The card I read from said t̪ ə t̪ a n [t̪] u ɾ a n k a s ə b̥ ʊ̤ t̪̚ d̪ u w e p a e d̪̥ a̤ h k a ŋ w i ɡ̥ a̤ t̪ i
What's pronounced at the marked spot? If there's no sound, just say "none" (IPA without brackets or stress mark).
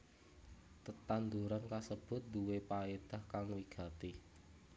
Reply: d̪